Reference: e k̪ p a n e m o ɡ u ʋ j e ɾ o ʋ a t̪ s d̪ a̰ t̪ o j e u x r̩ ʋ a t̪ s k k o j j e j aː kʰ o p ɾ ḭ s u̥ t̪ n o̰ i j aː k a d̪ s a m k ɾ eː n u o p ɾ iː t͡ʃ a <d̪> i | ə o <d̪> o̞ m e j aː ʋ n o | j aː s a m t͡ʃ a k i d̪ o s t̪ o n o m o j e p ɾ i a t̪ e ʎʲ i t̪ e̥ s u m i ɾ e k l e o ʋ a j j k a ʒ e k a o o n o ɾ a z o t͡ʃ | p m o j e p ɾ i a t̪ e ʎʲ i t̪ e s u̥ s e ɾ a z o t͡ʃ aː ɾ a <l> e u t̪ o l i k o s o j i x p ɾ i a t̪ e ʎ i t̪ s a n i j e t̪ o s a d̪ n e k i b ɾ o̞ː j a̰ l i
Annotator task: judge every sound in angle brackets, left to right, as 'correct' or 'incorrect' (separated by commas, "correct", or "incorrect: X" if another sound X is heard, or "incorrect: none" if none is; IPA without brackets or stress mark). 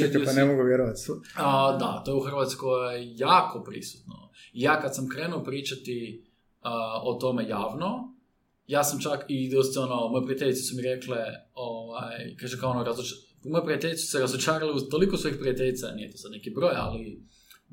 incorrect: t̪, incorrect: t̪, correct